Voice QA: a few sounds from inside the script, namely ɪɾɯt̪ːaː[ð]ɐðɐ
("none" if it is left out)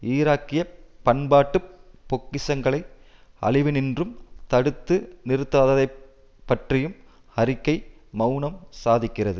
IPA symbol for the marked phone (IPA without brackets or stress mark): ð